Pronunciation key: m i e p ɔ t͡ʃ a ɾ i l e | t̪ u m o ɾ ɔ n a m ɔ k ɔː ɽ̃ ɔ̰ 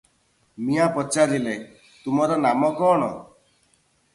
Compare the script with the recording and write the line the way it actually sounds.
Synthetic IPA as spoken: m i a p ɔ t͡ʃ a ɾ i l e | t̪ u m ɔ ɾ ɔ n a m ɔ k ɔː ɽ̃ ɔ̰